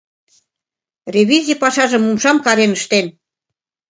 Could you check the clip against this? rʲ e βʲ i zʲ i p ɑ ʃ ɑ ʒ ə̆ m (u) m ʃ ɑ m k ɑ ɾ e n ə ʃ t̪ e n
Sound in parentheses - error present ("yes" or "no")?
no